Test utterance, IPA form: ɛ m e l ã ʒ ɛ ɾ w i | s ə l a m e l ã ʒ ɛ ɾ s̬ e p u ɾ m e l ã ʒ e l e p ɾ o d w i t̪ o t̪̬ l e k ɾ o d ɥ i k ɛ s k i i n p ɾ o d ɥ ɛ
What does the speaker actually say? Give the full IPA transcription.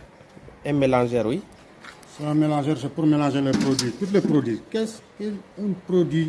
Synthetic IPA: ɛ m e l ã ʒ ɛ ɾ w i | s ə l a m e l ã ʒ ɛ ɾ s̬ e p u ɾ m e l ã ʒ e l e p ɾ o d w i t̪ u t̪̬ l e p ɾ o d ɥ i k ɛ s k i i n p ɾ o d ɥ i